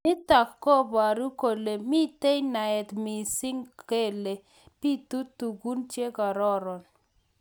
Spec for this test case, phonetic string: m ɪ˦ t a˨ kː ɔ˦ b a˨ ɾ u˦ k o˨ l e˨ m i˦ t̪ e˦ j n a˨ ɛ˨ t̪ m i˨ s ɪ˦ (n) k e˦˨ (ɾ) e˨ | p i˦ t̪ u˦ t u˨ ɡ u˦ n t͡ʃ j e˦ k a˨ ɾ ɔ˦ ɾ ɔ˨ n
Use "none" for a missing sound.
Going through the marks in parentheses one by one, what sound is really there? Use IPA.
ŋ, l

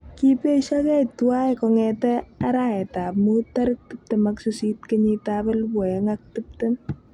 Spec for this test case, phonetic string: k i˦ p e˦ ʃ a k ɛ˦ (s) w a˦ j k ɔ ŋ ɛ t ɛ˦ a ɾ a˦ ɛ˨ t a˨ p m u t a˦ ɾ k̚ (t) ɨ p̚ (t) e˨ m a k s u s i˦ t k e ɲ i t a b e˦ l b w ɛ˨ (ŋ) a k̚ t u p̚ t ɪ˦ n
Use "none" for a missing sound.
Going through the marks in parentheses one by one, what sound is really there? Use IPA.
t, t, t, ŋ

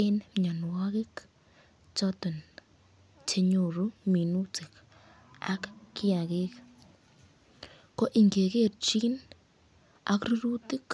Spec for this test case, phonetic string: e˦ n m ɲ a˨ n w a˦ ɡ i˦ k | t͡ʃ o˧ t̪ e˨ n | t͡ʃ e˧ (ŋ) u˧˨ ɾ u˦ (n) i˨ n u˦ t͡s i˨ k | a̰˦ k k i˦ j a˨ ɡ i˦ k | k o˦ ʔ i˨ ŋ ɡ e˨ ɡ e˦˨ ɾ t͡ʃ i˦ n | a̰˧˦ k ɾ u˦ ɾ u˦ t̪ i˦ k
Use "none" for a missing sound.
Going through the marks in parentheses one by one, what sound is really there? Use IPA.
ɲ, m

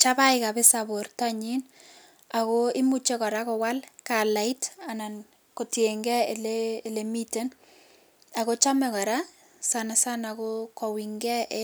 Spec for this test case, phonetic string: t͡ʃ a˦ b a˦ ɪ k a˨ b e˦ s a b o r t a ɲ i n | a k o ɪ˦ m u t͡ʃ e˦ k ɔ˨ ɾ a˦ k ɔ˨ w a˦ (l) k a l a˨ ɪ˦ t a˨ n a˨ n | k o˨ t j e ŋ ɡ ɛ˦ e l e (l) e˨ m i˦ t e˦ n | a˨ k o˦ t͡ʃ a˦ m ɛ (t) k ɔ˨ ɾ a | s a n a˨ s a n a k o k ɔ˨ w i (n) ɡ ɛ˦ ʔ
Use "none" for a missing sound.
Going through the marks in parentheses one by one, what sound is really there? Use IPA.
l, l, none, ŋ

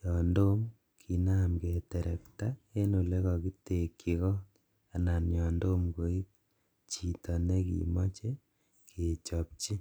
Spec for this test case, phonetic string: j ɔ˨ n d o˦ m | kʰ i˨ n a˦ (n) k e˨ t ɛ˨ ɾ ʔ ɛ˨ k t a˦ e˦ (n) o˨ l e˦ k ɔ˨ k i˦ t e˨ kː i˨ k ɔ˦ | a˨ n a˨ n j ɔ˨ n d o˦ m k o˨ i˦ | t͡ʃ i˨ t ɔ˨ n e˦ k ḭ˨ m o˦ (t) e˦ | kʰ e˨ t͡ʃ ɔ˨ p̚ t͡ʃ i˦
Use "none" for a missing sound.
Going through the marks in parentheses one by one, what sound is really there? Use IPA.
m, n, t͡ʃ

